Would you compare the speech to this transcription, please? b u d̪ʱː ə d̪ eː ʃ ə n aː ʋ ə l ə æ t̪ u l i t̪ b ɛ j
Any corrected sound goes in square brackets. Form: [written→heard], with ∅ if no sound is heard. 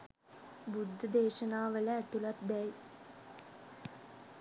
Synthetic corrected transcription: b u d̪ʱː ə d̪ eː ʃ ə n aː ʋ ə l ə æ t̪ u l [i→a] t̪ b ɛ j